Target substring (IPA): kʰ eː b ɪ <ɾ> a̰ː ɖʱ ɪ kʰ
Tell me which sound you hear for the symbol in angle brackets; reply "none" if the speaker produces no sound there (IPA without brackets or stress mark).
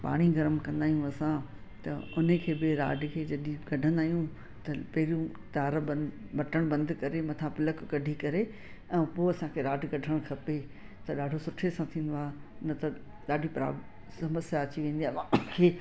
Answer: ɾ